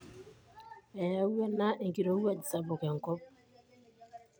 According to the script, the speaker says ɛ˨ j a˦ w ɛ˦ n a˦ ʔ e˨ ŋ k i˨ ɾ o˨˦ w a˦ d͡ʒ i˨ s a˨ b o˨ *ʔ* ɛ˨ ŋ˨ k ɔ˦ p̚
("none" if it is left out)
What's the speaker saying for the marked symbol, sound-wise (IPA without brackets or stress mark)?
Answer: k